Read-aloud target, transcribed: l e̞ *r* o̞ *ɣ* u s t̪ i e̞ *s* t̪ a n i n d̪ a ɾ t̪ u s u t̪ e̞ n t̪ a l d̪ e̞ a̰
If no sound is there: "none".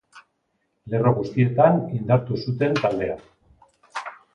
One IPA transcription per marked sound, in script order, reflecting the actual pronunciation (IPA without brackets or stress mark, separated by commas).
r, ɣ, none